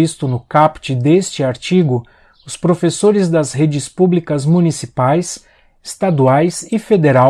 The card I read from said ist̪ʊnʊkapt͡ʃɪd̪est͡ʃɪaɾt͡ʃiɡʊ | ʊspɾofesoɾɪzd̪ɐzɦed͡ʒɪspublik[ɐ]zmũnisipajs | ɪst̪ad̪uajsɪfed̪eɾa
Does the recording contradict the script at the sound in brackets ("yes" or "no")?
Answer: no